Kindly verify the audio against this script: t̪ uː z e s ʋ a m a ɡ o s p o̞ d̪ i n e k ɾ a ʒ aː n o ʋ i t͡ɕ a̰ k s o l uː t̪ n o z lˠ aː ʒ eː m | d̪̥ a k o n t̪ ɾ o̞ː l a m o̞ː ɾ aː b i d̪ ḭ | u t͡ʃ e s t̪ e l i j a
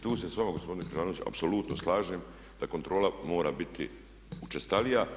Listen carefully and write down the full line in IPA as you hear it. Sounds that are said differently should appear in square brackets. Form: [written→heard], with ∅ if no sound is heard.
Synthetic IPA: t̪ uː [z→s] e s ʋ a m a ɡ o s p o̞ d̪ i n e k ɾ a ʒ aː n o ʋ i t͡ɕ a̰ [k→p] s o l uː t̪ n o [z→s] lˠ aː ʒ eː m | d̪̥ a k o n t̪ ɾ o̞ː l a m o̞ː ɾ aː b i [d̪→t̪] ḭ | u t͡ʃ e s t̪ [e→a] l i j a